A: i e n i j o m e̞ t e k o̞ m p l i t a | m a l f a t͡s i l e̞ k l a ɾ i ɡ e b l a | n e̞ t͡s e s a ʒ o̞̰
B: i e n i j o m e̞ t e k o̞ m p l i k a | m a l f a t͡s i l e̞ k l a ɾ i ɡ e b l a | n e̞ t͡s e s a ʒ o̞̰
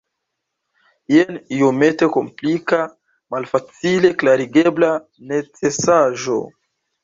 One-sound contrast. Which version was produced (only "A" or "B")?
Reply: B